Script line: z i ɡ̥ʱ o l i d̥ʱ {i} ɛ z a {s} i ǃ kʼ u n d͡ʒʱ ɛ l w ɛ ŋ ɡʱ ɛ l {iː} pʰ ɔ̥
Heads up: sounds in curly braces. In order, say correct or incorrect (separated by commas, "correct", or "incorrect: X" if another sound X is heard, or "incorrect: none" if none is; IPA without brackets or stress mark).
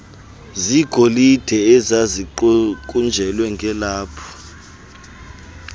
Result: incorrect: ɛ, incorrect: z, incorrect: aː